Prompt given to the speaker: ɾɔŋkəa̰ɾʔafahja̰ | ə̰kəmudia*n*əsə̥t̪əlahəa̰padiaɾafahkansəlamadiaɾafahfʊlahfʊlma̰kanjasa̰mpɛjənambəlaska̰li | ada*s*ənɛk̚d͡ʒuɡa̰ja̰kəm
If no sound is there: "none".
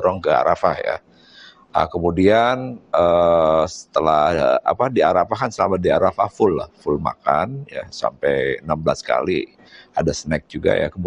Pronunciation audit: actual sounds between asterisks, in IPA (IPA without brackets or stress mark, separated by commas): n, s